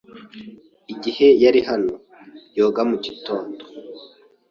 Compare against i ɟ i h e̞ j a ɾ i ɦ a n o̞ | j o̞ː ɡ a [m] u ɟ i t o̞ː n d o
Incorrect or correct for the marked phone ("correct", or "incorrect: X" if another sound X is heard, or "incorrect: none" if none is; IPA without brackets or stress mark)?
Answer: correct